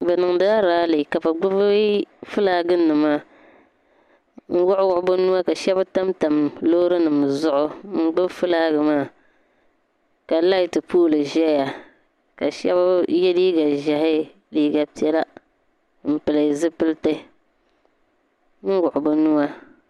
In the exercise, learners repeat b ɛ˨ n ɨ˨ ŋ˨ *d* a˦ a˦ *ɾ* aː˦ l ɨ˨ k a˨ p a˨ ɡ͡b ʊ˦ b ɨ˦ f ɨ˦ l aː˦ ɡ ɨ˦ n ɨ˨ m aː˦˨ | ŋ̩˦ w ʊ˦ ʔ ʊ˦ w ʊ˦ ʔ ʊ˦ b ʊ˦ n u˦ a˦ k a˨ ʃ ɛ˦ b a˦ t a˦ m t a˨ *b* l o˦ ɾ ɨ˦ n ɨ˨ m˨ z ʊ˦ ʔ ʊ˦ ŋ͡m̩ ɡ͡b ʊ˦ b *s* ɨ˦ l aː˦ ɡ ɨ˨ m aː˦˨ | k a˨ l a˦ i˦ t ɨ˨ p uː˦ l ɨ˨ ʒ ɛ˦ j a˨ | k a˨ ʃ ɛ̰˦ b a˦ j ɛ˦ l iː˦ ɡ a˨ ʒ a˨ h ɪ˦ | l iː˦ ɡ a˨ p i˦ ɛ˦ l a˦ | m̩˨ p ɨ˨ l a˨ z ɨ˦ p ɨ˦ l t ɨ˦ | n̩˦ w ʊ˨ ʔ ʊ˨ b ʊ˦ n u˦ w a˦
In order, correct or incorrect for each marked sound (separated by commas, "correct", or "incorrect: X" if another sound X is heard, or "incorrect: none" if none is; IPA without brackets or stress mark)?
correct, correct, incorrect: m, incorrect: f